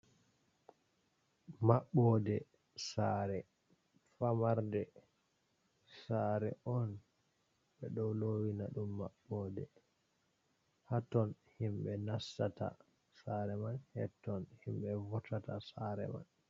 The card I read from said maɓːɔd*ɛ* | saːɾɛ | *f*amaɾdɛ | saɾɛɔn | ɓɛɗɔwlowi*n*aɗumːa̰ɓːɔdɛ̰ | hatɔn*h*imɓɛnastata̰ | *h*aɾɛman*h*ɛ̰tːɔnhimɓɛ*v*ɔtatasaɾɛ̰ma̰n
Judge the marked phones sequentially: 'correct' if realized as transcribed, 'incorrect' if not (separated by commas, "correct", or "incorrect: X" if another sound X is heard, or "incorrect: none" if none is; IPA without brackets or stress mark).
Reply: correct, correct, correct, correct, incorrect: s, correct, correct